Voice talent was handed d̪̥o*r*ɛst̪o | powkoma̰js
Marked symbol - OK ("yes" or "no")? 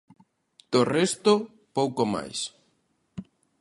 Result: yes